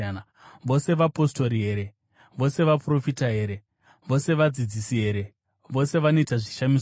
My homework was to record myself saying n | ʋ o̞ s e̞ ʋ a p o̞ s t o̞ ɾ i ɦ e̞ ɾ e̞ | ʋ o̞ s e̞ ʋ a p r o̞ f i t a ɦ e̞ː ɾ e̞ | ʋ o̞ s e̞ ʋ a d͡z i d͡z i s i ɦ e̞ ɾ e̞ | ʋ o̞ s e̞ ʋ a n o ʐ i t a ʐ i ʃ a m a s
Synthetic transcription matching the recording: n | ʋ o̞ s e̞ ʋ a p o̞ s t o̞ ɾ i ɦ e̞ ɾ e̞ | ʋ o̞ s e̞ ʋ a p r o̞ f i t a ɦ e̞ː ɾ e̞ | ʋ o̞ s e̞ ʋ a d͡z i d͡z i s i ɦ e̞ ɾ e̞ | ʋ o̞ s e̞ ʋ a n o i t a ʐ i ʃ a m i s